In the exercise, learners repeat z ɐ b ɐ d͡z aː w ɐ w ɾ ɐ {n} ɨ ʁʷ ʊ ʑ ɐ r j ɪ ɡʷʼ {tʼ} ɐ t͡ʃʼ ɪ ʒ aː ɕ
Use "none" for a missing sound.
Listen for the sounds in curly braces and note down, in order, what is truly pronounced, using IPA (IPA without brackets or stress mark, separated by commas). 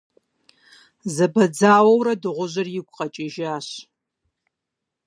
d, qʼ